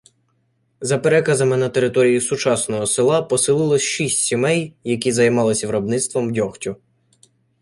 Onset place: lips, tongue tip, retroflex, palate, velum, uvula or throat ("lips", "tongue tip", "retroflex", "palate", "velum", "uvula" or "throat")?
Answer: tongue tip